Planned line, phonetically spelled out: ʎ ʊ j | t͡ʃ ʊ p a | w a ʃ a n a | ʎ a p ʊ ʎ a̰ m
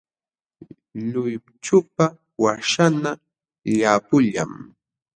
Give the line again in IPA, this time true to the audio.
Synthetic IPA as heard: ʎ ʊ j | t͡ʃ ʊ p a | w a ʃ a n a | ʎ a p ʊ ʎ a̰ m